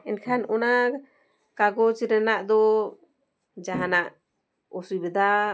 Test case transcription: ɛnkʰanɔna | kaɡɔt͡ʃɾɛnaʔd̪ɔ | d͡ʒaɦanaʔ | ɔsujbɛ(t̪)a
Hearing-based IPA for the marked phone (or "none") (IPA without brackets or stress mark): d̪